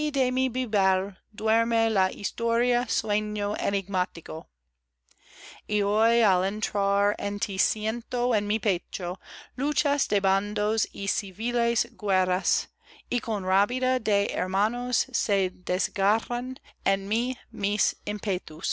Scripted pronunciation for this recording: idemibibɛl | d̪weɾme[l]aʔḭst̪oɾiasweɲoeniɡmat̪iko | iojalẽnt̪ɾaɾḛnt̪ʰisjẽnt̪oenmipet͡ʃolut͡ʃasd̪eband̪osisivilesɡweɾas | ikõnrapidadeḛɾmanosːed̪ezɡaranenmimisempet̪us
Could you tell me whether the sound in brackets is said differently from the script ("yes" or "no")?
no